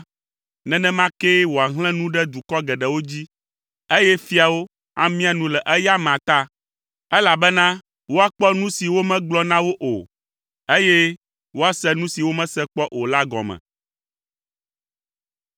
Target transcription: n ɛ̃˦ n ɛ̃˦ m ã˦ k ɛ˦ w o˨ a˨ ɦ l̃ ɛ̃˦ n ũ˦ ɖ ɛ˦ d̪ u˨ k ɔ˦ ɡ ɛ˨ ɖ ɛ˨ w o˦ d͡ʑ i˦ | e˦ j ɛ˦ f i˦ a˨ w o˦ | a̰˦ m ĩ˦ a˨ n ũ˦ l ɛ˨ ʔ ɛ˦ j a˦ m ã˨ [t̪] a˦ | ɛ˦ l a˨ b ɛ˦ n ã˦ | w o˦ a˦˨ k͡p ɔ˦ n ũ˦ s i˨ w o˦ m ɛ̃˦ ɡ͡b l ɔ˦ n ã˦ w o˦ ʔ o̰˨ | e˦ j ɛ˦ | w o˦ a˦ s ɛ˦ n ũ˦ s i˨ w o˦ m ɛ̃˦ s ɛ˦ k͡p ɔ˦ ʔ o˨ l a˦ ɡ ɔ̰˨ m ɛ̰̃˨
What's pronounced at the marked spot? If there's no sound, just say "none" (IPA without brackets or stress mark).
t̪